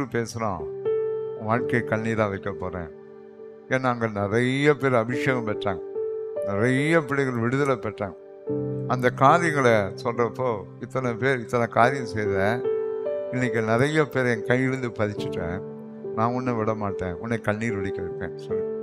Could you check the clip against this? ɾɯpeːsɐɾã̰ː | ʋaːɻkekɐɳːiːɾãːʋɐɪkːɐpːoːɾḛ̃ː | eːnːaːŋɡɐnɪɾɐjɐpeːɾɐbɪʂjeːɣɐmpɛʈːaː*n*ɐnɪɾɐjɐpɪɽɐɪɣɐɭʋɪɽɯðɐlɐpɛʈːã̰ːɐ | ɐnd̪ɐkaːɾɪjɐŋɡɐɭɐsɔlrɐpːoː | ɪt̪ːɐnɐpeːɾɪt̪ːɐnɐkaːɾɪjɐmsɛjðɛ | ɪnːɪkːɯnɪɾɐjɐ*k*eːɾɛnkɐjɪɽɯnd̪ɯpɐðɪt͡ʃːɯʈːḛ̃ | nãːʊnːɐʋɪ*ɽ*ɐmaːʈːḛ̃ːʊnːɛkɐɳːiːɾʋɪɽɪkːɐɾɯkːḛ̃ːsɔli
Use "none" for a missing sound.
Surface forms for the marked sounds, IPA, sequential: ŋ, p, ɽ

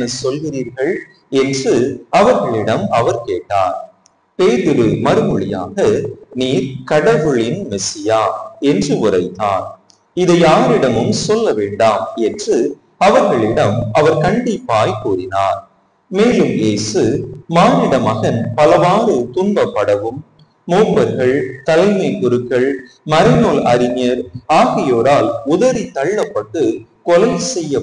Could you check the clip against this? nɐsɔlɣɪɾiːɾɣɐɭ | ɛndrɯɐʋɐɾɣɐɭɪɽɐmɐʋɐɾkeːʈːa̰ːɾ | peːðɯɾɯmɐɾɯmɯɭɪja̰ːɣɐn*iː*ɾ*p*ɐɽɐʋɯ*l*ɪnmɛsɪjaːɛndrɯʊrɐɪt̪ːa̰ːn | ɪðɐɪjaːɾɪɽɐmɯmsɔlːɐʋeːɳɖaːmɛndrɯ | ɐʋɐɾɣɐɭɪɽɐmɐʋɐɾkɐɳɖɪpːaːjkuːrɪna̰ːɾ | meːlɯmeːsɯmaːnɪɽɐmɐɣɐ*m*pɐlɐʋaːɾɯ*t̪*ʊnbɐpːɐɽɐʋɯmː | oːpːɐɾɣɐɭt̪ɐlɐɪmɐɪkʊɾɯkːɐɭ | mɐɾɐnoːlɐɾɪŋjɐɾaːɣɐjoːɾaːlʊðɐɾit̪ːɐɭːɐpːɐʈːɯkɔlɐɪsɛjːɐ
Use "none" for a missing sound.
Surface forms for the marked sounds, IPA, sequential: iː, k, ɭ, n, t̪

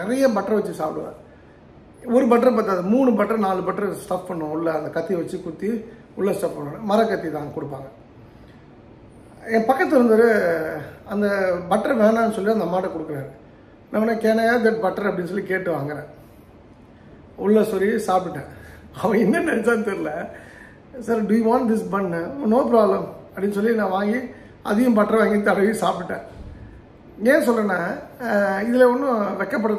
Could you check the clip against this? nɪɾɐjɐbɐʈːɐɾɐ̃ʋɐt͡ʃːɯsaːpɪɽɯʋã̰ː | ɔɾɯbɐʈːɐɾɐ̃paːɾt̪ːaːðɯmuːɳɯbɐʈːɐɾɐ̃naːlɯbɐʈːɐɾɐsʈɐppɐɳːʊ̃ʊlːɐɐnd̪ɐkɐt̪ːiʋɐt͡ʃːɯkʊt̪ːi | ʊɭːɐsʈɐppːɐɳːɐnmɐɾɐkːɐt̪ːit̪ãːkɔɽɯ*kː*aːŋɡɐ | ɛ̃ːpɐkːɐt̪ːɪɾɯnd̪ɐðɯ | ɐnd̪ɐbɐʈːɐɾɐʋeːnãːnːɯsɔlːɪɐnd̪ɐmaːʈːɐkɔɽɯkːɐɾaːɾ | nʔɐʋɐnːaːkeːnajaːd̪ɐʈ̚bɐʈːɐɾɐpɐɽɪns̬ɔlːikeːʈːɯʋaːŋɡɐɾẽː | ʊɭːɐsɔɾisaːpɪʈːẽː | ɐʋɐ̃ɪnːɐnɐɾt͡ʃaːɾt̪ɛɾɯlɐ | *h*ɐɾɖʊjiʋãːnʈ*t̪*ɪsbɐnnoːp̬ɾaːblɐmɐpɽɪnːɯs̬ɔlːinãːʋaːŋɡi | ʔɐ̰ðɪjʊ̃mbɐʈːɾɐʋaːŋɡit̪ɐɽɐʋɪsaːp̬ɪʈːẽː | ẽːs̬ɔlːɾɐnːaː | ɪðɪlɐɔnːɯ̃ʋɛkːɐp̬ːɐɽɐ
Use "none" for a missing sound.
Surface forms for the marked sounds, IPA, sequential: pː, s, d̪

